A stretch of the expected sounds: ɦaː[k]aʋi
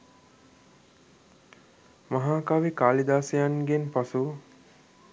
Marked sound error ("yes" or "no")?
no